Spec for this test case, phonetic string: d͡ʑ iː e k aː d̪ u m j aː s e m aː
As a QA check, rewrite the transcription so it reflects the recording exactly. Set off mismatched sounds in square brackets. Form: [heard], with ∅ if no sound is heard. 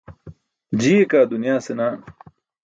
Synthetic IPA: d͡ʑ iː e k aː d̪ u [n] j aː s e [n] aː